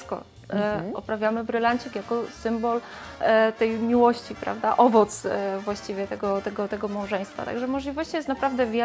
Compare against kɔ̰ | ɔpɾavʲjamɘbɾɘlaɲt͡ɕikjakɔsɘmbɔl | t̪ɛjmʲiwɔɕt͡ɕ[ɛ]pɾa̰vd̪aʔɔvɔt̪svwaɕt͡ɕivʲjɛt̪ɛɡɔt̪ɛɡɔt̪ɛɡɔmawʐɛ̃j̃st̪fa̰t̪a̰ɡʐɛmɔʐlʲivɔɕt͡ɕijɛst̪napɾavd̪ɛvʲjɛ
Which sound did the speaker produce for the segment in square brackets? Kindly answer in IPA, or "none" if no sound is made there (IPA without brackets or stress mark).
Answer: i